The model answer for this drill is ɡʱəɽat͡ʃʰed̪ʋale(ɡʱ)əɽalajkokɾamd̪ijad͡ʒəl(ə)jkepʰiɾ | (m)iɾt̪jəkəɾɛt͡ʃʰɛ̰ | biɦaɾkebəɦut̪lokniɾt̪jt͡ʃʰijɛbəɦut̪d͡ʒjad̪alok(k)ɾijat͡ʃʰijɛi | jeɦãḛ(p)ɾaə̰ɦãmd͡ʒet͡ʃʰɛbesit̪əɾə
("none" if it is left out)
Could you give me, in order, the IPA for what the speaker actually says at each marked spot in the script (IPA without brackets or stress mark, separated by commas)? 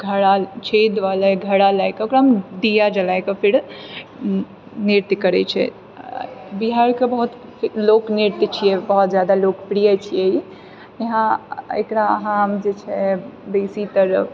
ɡʱ, a, n, p, k